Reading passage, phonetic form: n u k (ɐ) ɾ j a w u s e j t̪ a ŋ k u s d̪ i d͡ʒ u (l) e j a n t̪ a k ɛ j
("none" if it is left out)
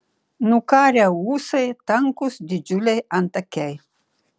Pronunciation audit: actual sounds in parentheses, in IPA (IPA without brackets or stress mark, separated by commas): a, l